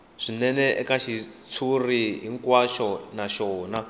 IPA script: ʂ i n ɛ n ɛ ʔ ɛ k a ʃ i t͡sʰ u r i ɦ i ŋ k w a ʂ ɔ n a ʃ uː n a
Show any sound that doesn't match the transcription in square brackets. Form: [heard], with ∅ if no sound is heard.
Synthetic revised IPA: ʂ i n ɛ n ɛ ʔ ɛ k a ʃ i t͡sʰ u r i ɦ i ŋ k w a [ʃ] ɔ n a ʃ [ɔː] n a